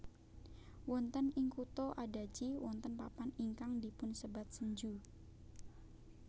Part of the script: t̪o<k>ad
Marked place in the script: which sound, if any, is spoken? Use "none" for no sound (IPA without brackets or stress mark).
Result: ʔ